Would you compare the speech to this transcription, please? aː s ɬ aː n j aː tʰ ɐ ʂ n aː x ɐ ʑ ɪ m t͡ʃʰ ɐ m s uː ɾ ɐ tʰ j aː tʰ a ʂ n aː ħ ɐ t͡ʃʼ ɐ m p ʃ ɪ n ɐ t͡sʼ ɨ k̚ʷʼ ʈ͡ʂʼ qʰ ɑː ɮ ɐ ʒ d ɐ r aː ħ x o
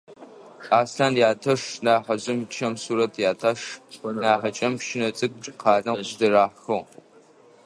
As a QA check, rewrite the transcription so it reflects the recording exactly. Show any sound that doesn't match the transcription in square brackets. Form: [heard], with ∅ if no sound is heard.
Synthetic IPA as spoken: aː s ɬ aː n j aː tʰ ɐ ʂ n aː [ħ] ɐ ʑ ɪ m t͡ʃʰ ɐ m s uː ɾ ɐ tʰ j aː tʰ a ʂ n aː ħ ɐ t͡ʃʼ ɐ m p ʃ ɪ n ɐ t͡sʼ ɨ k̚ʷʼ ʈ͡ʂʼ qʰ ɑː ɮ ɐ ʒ d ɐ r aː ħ x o